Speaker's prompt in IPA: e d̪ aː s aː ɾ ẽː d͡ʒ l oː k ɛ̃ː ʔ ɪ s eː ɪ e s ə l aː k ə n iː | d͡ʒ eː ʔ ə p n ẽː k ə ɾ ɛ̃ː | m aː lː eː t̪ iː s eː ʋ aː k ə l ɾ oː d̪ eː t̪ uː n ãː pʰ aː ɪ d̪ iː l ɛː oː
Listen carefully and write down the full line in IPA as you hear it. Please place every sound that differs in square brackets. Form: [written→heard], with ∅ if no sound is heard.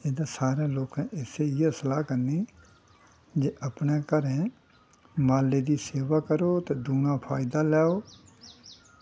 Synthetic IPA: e d̪ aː s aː ɾ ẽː [d͡ʒ→∅] l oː k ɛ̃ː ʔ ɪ s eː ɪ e s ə l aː k ə n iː | d͡ʒ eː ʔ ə p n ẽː k ə ɾ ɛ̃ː | m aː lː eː [t̪→d̪] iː s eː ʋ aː k ə [l→∅] ɾ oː [d̪→t̪] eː [t̪→d̪] uː n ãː pʰ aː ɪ d̪ [iː→aː] l ɛː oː

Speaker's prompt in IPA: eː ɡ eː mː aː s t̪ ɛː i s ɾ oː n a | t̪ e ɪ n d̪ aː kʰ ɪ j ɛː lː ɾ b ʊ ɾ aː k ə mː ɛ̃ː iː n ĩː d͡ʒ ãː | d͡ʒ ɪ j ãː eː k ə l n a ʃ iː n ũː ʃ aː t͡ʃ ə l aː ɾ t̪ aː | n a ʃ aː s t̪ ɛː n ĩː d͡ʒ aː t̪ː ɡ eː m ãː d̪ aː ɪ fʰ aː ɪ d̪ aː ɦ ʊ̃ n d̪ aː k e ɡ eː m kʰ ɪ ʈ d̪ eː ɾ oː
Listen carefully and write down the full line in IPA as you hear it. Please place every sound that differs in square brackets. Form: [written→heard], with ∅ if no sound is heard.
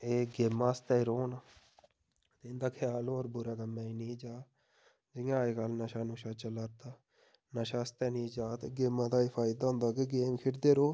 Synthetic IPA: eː ɡ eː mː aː s t̪ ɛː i [s→∅] ɾ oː n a | t̪ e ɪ n d̪ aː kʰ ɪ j [ɛː→aː] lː ɾ b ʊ ɾ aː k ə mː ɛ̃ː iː n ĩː d͡ʒ [ãː→aː] | d͡ʒ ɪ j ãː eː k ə l n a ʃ [iː→aː] n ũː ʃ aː t͡ʃ ə l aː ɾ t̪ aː | n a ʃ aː s t̪ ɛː n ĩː d͡ʒ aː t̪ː ɡ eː m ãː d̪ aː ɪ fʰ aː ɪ d̪ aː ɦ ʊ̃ n d̪ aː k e ɡ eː m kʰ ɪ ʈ d̪ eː ɾ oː

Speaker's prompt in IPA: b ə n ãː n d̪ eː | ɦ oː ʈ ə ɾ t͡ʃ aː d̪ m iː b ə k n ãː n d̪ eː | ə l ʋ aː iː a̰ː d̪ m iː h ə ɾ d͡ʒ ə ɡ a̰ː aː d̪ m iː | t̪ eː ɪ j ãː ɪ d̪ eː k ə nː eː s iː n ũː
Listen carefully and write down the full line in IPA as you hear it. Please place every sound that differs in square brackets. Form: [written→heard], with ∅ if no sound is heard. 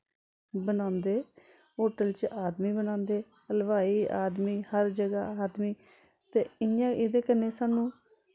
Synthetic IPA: b ə n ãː n d̪ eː | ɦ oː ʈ ə [ɾ→l] t͡ʃ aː d̪ m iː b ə [k→∅] n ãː n d̪ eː | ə l ʋ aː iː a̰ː d̪ m iː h ə ɾ d͡ʒ ə ɡ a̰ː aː d̪ m iː | t̪ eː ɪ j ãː ɪ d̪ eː k ə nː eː s [iː→aː] n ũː

